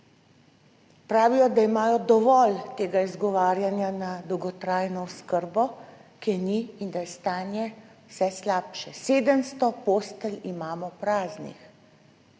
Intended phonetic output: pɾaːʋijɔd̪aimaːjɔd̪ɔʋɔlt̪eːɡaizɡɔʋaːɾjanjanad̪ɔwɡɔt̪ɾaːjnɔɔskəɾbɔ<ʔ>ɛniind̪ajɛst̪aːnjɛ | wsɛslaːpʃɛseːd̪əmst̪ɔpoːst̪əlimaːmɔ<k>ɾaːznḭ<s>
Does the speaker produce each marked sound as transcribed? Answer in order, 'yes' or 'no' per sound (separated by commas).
no, no, no